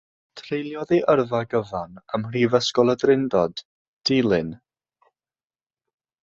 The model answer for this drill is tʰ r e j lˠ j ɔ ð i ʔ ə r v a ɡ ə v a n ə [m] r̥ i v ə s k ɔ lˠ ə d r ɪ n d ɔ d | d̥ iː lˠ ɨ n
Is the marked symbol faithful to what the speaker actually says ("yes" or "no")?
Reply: yes